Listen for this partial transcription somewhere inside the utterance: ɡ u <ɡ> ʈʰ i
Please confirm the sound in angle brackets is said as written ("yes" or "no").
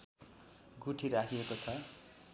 no